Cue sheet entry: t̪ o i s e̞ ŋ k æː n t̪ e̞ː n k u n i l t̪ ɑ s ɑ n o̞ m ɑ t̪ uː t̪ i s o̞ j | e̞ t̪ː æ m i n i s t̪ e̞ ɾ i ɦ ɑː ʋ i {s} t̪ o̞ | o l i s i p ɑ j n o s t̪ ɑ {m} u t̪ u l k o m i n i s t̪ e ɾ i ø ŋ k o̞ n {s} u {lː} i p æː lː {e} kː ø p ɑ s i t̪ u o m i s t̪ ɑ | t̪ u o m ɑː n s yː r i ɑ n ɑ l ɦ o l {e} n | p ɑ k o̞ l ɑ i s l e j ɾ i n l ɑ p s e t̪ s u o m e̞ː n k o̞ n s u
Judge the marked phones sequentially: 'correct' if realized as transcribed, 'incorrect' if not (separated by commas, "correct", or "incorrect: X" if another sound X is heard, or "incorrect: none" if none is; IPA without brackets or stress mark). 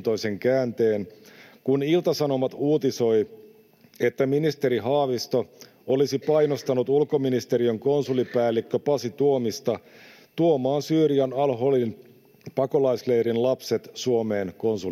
correct, incorrect: n, correct, incorrect: l, incorrect: i, incorrect: i